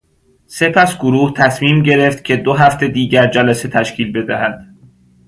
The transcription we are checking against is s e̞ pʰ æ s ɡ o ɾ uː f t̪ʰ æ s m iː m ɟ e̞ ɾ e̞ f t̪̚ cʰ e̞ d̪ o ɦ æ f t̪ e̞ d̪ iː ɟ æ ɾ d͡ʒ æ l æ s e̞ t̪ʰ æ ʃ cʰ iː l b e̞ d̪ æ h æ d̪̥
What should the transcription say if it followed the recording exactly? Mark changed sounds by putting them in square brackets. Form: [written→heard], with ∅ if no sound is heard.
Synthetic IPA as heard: s e̞ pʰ æ s ɡ o ɾ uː [f→h] t̪ʰ æ s m iː m ɟ e̞ ɾ e̞ f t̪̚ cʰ e̞ d̪ o ɦ æ f t̪ e̞ d̪ iː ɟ æ ɾ d͡ʒ æ l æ s e̞ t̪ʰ æ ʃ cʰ iː l b e̞ d̪ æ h æ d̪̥